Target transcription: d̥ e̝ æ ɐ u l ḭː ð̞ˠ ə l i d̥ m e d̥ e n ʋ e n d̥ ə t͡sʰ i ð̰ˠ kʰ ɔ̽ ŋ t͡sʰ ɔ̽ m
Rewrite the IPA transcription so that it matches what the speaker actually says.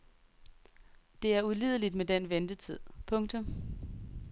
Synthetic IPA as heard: d̥ e̝ æ ɐ u l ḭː ð̞ˠ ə l i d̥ m e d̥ e n ʋ e n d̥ ə t͡sʰ i ð̰ˠ pʰ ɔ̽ ŋ t͡sʰ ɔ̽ m